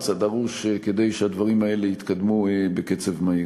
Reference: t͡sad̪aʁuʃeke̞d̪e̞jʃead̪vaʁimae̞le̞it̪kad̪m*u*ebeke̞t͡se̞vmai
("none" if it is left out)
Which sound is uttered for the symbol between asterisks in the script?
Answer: u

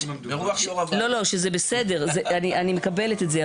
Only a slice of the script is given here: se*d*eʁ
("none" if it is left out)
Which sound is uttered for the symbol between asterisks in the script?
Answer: d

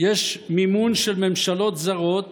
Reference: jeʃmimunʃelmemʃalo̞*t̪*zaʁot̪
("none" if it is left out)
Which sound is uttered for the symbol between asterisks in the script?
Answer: t̪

